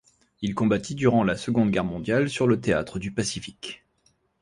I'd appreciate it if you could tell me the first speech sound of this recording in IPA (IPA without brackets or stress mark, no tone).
i